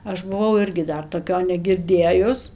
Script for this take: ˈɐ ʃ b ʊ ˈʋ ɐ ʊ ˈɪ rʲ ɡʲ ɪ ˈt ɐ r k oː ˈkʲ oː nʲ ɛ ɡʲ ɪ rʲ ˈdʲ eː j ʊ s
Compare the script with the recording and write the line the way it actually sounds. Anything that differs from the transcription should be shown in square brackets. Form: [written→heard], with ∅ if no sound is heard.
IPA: ˈɐ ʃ b ʊ ˈʋ ɐ ʊ ˈɪ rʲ ɡʲ ɪ [ˈt→ˈd] ɐ r [k→t] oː ˈkʲ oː nʲ ɛ ɡʲ ɪ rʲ ˈdʲ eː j ʊ s